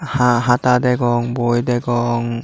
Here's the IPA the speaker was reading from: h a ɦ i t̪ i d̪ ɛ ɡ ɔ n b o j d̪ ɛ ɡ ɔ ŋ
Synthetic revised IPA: h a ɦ a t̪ a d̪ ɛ ɡ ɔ ŋ b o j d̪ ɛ ɡ ɔ ŋ